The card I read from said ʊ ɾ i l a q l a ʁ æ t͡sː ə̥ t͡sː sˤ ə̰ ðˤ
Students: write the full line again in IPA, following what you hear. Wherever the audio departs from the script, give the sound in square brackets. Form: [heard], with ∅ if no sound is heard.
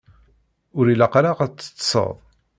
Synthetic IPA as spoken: ʊ ɾ i l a q [ɾ] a ʁ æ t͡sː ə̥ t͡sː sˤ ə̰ ðˤ